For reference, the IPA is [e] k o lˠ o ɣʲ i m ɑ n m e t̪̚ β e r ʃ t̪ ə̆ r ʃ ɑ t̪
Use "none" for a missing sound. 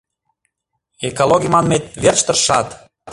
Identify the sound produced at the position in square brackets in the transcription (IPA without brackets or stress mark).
e